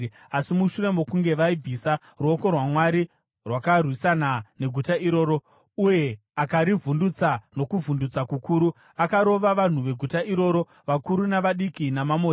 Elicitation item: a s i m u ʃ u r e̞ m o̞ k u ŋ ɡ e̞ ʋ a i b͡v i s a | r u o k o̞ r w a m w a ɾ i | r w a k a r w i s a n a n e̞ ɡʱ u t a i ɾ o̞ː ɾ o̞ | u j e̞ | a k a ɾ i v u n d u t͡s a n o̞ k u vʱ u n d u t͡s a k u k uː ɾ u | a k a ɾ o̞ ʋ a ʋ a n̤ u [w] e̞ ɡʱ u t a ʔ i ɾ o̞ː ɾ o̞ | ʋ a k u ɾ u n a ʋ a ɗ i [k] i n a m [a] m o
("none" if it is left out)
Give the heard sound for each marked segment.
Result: ʋ, k, a

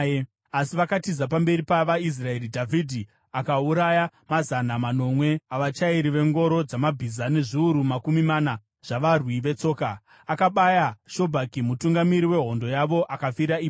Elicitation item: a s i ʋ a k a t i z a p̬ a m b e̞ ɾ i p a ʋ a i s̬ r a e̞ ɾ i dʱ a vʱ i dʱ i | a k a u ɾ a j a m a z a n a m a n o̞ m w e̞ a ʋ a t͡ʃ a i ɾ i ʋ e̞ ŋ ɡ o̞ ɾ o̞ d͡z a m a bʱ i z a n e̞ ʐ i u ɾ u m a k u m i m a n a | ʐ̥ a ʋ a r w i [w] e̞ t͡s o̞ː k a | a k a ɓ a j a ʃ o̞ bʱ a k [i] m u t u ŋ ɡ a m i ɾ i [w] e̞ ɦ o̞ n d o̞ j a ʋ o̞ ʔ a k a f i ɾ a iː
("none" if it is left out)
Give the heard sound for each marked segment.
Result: ʋ, i, w

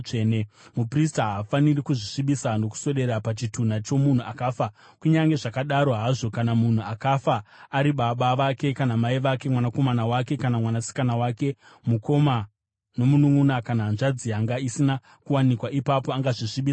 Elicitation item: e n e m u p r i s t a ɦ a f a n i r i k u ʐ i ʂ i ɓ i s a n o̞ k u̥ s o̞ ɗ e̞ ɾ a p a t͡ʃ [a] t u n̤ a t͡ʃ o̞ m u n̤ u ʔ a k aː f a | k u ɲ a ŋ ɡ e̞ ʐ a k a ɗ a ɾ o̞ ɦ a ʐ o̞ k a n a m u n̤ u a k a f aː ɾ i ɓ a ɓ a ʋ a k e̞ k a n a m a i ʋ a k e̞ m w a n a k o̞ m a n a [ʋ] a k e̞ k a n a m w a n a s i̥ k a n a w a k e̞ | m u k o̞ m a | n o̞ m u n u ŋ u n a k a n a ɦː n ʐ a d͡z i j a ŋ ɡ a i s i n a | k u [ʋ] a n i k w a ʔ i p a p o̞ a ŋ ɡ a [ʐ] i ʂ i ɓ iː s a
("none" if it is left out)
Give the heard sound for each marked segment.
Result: i, w, w, ʐ

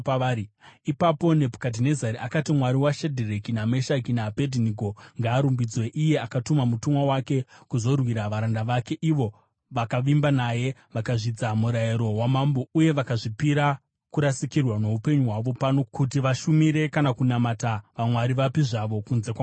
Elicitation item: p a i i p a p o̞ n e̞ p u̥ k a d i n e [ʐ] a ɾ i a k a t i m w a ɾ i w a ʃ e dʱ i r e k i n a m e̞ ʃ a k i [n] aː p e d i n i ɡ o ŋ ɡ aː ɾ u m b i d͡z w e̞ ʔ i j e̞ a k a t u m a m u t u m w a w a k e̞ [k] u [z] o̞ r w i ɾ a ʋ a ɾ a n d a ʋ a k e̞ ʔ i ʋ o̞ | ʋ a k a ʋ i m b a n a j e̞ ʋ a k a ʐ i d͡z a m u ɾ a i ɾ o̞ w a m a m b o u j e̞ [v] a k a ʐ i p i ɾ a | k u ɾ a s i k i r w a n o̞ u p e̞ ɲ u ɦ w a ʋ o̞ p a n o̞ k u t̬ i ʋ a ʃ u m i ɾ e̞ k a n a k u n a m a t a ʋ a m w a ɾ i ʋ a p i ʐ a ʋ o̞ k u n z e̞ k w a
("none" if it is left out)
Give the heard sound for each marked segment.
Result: z, n, k, z, ʋ

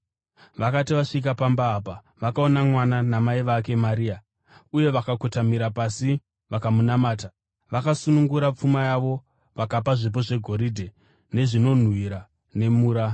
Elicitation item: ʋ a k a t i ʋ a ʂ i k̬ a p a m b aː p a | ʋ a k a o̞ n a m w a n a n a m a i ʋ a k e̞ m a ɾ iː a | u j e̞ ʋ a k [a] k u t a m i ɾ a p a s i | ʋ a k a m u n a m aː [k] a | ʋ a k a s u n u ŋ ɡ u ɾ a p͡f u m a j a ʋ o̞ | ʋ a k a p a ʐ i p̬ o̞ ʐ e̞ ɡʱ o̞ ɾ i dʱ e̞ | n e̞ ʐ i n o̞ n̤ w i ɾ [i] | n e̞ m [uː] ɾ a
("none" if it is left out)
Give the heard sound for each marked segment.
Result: a, t, a, uː

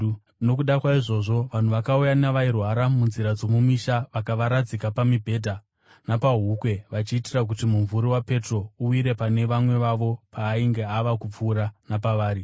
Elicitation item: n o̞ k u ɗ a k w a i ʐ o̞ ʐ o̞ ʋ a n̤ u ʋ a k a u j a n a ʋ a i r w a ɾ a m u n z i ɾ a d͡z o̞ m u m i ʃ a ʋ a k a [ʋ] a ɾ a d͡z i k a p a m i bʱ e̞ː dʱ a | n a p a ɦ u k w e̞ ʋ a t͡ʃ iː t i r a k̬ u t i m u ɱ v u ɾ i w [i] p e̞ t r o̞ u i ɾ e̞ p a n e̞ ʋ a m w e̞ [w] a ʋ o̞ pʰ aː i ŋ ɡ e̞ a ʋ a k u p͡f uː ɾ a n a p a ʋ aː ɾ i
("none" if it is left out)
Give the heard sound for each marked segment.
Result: ʋ, a, ʋ

